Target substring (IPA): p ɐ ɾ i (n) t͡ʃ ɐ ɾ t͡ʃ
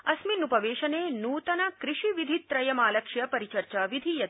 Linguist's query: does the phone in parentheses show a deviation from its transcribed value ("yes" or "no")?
yes